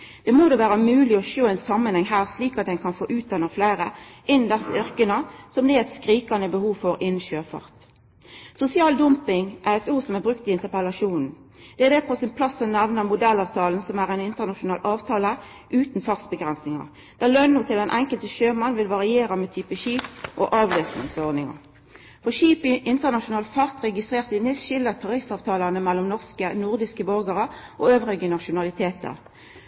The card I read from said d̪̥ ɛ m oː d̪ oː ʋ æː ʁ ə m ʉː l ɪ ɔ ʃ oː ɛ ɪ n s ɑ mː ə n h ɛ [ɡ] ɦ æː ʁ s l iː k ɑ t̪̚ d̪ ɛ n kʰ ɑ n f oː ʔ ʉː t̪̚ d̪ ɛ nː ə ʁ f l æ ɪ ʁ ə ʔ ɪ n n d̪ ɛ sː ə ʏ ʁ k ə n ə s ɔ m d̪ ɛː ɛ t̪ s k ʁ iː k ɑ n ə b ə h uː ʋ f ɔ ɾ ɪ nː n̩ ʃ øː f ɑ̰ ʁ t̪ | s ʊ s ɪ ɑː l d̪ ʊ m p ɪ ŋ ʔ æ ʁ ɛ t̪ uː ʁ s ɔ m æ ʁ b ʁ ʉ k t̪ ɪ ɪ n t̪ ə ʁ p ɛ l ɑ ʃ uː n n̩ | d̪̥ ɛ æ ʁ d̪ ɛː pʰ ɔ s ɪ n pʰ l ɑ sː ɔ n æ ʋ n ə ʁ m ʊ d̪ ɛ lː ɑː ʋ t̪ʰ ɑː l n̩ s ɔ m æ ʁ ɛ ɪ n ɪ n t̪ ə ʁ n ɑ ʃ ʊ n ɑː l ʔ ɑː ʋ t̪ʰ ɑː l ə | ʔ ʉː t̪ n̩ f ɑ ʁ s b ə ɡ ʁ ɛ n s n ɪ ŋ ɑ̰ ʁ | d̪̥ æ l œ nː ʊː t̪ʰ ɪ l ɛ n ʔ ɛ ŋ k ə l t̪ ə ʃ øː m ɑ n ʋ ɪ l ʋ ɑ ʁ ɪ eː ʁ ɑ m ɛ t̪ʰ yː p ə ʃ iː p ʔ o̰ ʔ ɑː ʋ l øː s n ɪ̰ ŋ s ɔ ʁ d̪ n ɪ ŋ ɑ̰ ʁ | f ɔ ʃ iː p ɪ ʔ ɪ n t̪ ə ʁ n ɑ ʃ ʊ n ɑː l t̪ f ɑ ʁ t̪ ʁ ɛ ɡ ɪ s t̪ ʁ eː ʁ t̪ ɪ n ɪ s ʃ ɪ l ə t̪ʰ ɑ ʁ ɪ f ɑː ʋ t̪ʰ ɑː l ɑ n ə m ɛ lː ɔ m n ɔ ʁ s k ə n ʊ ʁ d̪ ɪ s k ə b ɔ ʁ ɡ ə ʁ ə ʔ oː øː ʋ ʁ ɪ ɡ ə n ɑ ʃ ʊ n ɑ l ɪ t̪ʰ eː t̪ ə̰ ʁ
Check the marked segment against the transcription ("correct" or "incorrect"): incorrect